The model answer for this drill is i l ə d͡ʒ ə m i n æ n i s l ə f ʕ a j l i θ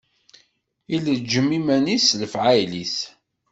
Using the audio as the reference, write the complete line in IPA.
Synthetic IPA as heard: i l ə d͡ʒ ə m i m æ n i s l ə f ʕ a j l i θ